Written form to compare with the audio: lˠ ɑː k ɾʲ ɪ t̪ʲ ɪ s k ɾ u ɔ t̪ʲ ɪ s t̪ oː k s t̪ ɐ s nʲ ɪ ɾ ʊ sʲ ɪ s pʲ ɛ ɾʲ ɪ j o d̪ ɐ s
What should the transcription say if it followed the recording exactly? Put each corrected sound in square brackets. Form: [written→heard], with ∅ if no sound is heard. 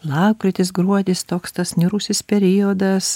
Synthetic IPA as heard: lˠ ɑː k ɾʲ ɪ t̪ʲ ɪ s [k→ɡ] ɾ u ɔ [t̪ʲ→d̪ʲ] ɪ s t̪ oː k s t̪ ɐ s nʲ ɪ ɾ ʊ sʲ ɪ s pʲ ɛ ɾʲ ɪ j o d̪ ɐ s